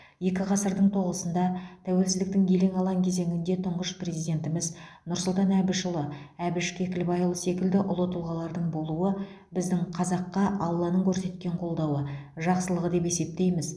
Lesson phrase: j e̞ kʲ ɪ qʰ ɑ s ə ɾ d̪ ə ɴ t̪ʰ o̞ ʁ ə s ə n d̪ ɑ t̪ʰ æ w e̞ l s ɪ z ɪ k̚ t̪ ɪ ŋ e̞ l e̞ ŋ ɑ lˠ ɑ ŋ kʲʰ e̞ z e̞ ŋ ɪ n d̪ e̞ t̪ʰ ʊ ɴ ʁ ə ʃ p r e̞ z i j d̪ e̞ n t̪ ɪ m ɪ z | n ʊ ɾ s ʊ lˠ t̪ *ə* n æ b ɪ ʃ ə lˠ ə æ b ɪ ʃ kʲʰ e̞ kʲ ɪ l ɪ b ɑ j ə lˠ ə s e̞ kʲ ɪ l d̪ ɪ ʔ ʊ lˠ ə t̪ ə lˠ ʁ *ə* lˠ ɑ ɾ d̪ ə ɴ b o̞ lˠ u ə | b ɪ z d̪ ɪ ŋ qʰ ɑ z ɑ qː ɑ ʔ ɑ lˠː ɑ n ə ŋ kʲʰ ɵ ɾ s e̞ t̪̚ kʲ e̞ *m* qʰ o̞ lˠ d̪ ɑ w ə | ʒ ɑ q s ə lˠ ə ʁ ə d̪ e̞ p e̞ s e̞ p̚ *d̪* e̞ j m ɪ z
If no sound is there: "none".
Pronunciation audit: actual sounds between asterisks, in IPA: ɑ, ɑ, ɴ, t̪

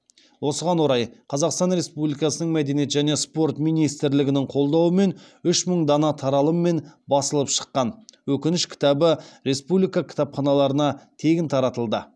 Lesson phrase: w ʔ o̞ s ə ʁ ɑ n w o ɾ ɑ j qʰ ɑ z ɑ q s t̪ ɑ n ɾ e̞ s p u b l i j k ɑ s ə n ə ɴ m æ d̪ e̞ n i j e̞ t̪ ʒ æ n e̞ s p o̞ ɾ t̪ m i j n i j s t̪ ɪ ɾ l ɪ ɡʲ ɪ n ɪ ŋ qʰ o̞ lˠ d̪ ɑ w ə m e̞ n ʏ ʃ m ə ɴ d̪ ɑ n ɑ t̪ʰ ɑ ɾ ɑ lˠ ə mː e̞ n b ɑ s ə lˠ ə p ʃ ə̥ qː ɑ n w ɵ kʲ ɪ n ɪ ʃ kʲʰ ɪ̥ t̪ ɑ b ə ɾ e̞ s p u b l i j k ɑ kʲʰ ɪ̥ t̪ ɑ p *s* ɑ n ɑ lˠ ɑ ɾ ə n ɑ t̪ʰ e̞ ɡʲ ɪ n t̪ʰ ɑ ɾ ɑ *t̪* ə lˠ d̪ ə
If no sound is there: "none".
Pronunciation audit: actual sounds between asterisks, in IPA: χ, t̪

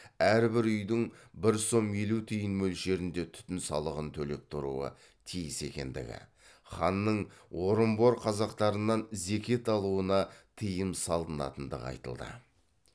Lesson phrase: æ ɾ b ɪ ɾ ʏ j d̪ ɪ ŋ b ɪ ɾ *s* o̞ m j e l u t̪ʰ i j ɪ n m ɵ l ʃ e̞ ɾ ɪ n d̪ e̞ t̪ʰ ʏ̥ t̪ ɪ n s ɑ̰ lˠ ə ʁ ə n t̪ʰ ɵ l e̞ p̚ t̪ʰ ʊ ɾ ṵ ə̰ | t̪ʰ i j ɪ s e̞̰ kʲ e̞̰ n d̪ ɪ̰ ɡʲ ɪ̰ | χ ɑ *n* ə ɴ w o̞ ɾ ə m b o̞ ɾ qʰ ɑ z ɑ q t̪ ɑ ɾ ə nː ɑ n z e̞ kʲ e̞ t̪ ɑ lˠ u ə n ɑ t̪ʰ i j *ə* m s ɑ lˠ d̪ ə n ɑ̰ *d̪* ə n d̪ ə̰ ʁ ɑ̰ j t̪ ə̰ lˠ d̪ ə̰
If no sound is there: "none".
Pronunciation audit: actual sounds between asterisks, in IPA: s, nː, ə, t̪

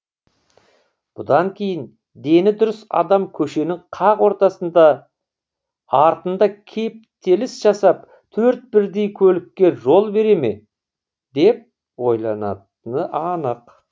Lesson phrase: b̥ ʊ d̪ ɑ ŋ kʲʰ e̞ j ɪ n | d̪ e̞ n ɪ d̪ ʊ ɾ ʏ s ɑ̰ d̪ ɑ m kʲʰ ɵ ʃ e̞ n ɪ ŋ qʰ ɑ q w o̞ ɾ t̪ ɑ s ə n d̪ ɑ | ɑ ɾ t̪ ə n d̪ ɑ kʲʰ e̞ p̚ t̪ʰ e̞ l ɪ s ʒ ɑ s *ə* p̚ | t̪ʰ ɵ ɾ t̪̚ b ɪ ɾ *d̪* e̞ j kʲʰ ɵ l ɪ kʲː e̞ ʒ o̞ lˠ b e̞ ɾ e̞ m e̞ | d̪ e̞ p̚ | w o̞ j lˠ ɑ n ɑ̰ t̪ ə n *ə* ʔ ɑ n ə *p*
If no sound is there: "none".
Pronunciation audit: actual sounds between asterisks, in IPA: ɑ, d̪, ə, q

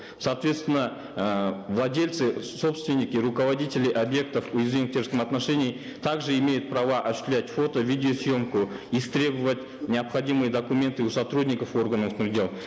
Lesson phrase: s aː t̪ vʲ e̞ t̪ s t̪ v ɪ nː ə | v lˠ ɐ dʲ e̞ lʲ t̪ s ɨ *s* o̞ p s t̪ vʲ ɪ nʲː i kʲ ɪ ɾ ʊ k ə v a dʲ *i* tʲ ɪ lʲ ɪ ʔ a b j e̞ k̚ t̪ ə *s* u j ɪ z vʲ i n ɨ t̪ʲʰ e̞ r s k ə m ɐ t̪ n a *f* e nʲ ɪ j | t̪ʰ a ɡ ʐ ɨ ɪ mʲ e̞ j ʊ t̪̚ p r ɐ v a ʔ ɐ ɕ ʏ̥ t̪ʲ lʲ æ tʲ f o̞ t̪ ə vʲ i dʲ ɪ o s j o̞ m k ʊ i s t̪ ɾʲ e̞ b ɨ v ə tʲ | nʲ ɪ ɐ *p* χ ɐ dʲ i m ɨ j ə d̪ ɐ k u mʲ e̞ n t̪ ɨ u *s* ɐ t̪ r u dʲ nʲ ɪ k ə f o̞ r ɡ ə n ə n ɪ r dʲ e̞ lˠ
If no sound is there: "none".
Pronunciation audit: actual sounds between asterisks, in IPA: s, i, f, ʂ, p, s

